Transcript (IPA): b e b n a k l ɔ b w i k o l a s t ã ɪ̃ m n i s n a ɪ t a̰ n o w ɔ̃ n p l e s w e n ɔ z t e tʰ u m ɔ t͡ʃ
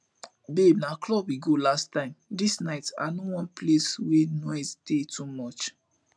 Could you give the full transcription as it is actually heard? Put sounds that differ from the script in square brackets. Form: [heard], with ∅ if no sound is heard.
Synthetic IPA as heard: b e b n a k l ɔ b w i [ɡ] o l a s t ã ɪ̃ m [d] i s n a ɪ t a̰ n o w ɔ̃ n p l e s w e n ɔ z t e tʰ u m ɔ t͡ʃ